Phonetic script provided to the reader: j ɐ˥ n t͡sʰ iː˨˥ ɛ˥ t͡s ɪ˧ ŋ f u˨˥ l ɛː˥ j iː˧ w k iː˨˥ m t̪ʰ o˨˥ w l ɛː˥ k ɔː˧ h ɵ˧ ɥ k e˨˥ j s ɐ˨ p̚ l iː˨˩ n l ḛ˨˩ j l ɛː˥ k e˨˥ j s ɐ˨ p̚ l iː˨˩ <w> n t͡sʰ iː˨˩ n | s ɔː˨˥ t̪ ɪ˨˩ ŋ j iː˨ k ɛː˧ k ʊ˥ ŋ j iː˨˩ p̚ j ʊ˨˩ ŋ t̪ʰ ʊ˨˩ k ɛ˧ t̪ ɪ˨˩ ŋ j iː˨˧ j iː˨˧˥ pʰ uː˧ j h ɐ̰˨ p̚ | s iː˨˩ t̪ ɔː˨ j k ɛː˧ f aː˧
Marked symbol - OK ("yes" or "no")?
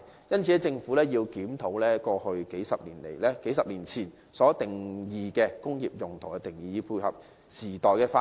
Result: no